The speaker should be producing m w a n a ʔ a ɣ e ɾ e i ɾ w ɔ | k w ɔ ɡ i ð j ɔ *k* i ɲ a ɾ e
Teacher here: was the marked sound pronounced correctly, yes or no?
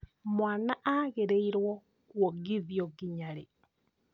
no